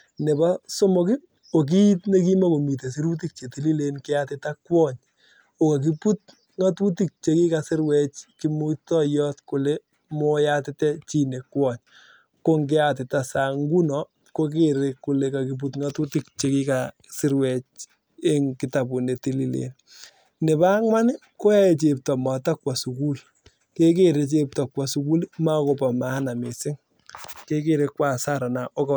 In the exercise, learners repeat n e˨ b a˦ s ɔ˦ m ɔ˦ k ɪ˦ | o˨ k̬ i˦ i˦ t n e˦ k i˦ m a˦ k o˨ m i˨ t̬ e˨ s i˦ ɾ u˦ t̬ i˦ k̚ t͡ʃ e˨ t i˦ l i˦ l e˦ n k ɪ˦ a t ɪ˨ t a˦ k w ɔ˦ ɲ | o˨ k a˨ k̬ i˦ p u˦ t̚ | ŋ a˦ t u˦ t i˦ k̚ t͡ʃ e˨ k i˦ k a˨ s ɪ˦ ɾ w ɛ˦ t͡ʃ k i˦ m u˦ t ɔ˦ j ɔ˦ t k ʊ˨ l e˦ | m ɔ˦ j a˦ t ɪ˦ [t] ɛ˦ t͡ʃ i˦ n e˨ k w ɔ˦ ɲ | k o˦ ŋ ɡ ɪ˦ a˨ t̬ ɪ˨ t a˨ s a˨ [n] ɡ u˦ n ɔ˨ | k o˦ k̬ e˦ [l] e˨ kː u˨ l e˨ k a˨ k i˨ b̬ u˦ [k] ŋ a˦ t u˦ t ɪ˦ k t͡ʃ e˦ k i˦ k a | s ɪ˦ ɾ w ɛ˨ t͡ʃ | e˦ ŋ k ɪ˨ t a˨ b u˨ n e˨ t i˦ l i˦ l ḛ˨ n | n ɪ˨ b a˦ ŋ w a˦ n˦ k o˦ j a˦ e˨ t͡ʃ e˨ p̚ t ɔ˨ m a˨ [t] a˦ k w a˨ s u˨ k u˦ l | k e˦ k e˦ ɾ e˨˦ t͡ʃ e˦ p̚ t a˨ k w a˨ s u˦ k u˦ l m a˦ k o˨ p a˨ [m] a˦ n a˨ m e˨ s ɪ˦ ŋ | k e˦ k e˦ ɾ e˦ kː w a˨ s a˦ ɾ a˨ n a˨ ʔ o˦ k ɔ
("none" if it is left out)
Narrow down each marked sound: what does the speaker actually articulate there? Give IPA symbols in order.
t, ŋ, ɾ, t, t, m

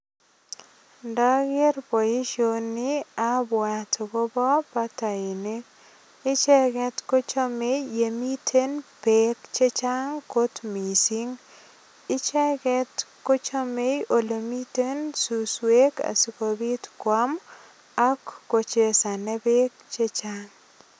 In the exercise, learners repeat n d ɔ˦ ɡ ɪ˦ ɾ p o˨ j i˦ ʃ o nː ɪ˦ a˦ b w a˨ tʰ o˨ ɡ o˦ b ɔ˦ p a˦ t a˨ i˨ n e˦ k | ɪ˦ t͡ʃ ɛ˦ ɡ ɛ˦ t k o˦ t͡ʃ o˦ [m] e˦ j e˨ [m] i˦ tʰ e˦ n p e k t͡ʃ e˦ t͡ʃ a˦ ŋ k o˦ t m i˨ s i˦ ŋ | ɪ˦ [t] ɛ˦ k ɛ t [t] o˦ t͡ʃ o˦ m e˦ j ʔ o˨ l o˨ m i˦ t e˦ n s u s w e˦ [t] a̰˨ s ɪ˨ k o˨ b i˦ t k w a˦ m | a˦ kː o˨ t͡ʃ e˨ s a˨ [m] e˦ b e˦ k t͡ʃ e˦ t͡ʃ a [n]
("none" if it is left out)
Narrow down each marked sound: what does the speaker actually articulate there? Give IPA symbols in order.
m, m, t͡ʃ, k, k, n, ŋ

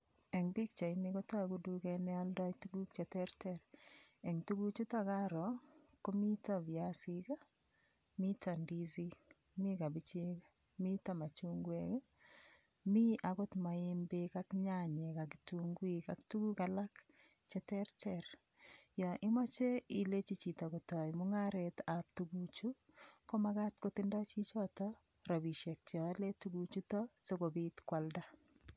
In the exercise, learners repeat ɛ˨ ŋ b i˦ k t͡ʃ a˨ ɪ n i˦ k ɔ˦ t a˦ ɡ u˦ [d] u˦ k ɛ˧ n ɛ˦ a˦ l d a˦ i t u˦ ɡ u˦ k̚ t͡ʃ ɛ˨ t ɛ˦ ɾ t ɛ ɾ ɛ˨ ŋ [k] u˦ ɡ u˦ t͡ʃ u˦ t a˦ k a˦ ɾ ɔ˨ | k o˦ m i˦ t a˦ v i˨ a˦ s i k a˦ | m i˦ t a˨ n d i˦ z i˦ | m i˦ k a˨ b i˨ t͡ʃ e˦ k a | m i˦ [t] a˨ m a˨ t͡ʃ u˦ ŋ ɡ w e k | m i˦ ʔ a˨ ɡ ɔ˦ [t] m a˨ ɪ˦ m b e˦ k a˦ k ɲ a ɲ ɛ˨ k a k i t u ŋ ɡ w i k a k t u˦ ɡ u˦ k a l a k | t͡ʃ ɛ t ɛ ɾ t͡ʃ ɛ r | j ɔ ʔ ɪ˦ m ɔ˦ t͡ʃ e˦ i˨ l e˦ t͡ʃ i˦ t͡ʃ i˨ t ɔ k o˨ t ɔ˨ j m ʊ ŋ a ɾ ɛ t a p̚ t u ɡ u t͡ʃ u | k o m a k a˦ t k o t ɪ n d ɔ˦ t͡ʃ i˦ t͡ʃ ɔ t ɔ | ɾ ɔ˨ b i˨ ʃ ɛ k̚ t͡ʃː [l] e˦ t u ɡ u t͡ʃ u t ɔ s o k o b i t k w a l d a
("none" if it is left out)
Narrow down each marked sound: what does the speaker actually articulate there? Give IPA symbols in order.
d, t, t, t, l

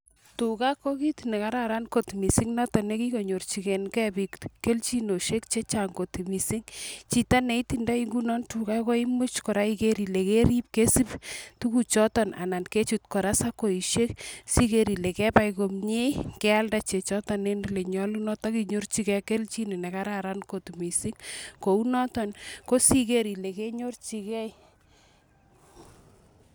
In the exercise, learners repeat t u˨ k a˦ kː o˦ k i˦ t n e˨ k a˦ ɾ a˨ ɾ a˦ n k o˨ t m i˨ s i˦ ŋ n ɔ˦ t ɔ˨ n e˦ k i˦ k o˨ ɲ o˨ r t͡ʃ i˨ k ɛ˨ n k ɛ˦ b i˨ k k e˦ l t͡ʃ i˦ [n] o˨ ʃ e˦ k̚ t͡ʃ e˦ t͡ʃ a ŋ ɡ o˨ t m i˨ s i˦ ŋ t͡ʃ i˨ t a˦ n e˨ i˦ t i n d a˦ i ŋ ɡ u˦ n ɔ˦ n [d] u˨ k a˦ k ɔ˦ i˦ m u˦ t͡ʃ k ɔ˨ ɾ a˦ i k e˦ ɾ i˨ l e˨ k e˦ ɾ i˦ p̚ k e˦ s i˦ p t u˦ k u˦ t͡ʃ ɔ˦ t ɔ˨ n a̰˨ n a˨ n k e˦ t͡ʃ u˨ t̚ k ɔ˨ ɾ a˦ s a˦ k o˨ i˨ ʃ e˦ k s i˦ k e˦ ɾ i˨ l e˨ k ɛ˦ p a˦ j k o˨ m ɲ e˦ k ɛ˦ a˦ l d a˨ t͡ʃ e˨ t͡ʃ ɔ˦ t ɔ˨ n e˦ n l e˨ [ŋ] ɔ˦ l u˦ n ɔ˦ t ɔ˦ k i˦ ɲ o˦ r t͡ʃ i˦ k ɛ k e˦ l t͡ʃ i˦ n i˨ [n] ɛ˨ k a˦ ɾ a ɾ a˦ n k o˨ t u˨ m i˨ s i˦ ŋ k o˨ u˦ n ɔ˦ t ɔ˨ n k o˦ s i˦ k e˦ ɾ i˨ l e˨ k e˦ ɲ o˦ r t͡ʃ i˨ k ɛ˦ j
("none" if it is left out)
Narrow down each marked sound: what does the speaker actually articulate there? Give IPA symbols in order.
n, t, ɲ, n

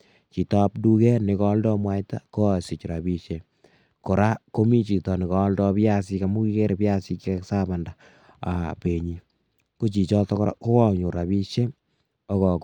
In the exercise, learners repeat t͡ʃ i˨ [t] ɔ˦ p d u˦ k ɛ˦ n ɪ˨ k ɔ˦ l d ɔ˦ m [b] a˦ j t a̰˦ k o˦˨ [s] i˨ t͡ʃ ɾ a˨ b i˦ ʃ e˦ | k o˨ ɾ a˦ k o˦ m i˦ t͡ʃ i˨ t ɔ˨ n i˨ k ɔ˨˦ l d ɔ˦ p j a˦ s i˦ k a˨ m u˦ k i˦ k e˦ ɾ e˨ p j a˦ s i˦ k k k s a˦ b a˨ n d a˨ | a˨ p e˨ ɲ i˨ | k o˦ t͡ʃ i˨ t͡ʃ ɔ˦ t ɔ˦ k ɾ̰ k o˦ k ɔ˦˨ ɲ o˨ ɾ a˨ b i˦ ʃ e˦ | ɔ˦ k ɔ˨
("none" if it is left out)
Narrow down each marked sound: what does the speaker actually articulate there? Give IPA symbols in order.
t, w, s

